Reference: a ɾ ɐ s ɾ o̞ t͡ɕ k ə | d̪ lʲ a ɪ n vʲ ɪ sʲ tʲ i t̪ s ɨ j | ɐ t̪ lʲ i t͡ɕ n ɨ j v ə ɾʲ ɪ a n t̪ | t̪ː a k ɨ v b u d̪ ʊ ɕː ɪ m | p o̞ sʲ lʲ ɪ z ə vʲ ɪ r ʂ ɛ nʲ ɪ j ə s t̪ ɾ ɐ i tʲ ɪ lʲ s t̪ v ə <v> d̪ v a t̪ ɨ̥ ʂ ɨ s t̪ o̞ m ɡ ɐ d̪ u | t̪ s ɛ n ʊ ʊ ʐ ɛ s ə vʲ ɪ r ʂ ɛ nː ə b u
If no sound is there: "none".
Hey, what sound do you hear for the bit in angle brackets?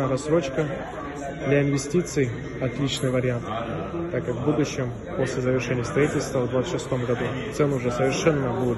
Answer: v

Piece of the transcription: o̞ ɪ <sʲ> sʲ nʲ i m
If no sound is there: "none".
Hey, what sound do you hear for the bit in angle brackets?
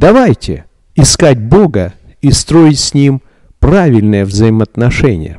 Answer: tʲ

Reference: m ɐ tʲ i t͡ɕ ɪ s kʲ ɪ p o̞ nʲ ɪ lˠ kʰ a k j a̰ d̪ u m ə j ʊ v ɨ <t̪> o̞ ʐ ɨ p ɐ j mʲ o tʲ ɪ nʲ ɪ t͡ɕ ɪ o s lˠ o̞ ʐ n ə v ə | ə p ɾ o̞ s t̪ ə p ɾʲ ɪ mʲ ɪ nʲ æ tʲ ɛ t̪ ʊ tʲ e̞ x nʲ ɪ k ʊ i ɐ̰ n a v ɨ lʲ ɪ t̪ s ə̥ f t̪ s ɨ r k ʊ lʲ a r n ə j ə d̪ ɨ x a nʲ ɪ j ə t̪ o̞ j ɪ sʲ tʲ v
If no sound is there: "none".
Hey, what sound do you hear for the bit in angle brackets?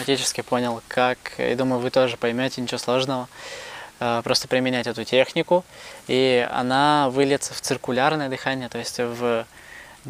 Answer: t̪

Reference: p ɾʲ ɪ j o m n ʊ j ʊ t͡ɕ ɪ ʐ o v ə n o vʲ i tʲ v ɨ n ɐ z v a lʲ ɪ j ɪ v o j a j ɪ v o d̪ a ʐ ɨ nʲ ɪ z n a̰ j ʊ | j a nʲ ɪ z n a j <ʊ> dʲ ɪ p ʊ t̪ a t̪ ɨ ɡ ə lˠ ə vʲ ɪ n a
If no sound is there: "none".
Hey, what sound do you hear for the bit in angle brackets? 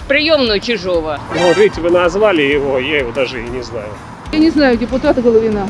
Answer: ʊ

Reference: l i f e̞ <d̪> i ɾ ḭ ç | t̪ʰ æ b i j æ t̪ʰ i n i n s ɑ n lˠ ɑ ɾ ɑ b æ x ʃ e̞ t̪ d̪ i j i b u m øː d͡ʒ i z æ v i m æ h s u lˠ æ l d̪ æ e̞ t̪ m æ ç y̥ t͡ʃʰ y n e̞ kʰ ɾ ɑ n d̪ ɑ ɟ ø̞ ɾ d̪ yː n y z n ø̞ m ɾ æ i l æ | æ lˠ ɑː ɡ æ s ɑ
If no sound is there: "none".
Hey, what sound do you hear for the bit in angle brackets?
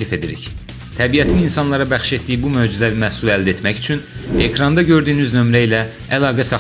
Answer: d̪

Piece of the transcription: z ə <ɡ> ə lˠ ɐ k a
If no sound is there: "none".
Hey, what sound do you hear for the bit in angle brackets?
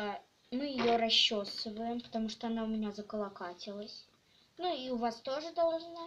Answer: k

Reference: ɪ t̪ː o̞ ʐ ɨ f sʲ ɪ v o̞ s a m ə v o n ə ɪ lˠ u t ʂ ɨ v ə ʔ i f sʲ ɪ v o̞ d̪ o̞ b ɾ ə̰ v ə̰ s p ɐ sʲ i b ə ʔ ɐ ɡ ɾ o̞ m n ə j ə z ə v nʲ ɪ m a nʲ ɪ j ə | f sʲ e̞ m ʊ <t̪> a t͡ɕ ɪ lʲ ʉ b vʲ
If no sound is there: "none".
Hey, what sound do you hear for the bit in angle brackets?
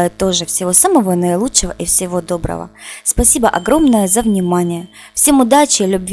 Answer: d̪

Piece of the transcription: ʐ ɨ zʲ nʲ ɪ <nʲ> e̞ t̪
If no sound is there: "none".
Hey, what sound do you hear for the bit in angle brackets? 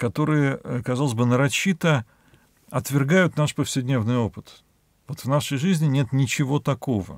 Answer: nʲ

